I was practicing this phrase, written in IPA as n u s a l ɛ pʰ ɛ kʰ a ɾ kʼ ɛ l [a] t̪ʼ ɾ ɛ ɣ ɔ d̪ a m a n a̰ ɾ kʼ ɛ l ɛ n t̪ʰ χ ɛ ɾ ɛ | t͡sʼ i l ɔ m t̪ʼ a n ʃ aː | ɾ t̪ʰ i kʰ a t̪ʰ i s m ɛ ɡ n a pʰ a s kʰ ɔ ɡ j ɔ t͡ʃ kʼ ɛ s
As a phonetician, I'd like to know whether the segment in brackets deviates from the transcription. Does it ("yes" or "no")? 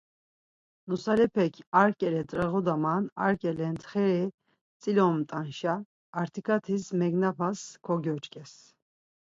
yes